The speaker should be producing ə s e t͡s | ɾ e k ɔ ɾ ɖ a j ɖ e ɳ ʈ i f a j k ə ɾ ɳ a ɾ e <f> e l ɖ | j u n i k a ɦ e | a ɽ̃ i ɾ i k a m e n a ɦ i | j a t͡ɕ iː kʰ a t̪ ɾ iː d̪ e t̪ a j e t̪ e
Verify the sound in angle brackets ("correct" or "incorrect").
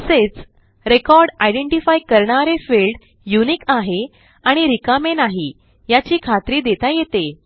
correct